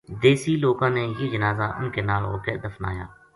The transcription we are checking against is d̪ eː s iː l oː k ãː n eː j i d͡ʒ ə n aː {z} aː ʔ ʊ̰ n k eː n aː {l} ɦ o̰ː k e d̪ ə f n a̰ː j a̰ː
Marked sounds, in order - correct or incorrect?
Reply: correct, correct

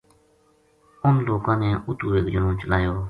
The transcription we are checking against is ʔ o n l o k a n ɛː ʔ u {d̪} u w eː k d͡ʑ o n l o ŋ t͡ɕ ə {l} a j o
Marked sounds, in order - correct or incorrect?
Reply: incorrect: t̪, correct

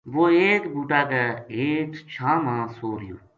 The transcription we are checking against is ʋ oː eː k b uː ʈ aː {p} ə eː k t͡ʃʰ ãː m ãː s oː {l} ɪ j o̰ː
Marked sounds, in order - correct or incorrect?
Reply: incorrect: k, incorrect: ɾ

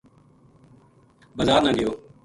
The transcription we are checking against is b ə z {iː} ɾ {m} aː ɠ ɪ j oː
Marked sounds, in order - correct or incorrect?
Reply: incorrect: aː, incorrect: n

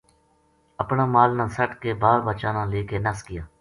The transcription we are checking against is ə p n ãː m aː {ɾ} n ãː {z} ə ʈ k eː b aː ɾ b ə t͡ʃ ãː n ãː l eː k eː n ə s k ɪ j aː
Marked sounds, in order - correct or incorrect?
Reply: incorrect: l, incorrect: s

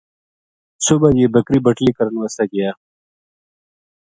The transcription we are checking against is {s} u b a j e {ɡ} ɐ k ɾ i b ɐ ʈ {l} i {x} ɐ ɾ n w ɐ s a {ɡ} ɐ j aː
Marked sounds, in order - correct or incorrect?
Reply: correct, incorrect: b, correct, incorrect: k, correct

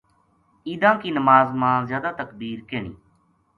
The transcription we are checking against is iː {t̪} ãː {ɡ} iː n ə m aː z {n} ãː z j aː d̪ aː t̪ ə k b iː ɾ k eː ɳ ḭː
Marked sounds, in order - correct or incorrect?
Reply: incorrect: d̪, incorrect: k, incorrect: m

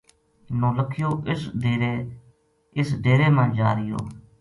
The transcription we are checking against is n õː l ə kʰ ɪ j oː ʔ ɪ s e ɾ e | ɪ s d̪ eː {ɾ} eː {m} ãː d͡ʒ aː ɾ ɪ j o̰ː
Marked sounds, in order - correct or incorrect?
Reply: correct, correct

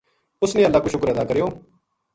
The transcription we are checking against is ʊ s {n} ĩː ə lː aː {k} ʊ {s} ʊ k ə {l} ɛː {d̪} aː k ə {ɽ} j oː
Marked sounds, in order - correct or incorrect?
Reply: correct, correct, incorrect: ʃ, incorrect: ɾ, correct, incorrect: ɾ

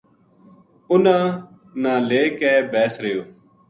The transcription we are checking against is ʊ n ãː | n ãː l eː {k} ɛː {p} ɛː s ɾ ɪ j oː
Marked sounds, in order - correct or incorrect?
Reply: correct, incorrect: b

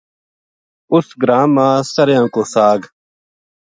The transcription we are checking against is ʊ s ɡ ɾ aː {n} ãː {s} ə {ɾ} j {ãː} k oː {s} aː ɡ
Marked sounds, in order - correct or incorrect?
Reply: incorrect: m, correct, correct, correct, correct

